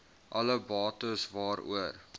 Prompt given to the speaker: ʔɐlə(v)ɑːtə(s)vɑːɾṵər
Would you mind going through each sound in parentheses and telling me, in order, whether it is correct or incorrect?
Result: incorrect: b, correct

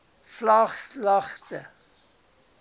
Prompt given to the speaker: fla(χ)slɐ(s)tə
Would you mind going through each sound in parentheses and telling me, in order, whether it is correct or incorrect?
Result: correct, incorrect: χ

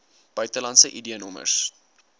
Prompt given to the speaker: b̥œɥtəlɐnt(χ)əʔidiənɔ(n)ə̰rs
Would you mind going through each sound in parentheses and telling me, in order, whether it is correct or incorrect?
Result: incorrect: s, incorrect: m

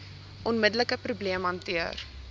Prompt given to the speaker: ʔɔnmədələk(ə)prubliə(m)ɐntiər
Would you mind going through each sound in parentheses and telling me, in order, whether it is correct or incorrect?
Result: correct, correct

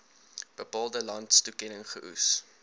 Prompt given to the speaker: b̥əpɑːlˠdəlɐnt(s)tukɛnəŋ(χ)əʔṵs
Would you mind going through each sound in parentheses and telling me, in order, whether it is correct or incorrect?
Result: correct, correct

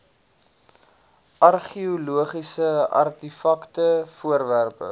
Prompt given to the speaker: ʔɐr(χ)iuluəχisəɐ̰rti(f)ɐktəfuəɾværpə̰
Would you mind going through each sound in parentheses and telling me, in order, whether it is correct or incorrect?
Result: correct, correct

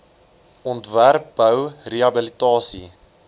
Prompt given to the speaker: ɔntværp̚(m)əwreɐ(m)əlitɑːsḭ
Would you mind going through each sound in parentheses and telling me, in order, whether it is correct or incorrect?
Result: incorrect: b, incorrect: b

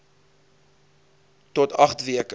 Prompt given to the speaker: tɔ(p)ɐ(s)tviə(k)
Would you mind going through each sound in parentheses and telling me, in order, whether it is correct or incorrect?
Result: incorrect: t, incorrect: χ, correct

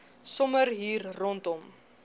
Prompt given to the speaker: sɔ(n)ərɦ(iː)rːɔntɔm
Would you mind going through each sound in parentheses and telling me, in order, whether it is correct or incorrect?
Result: incorrect: m, correct

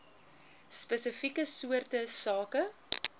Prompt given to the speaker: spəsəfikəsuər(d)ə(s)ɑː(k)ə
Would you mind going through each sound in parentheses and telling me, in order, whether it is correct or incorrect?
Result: incorrect: t, correct, correct

